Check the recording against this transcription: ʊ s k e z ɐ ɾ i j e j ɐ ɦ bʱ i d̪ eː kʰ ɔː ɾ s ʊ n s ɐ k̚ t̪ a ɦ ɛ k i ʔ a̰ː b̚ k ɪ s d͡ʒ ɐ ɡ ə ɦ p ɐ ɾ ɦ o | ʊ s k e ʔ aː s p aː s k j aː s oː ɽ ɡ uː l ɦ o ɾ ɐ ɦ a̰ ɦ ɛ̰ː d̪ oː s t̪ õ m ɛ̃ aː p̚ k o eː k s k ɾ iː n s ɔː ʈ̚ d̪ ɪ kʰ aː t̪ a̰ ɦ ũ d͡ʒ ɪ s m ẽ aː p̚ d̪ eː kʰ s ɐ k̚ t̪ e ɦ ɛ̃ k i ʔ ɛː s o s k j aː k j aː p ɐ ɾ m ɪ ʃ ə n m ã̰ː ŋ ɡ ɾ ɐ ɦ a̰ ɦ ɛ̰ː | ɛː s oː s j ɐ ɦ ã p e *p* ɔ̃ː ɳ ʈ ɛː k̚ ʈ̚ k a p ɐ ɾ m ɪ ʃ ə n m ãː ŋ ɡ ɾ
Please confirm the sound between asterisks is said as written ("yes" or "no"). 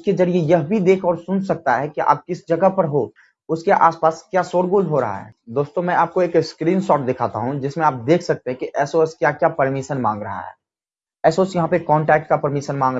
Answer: no